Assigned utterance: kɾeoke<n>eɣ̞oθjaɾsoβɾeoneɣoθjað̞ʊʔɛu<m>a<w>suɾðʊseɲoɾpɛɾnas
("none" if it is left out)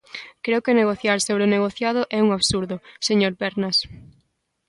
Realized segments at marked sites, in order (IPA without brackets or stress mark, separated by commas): n, ŋ, β